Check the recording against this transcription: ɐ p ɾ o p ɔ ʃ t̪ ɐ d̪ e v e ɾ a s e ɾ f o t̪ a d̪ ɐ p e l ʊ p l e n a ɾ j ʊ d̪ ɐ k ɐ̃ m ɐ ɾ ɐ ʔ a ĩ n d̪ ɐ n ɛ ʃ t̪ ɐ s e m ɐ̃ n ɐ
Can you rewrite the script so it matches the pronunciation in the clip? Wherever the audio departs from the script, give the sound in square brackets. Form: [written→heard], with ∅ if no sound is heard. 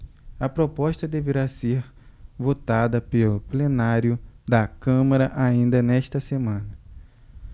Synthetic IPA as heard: ɐ p ɾ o p ɔ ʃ t̪ ɐ d̪ e v e ɾ a s e ɾ [f→v] o t̪ a d̪ ɐ p e l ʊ p l e n a ɾ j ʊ d̪ ɐ k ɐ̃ m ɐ ɾ ɐ ʔ a ĩ n d̪ ɐ n ɛ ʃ t̪ ɐ s e m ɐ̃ n ɐ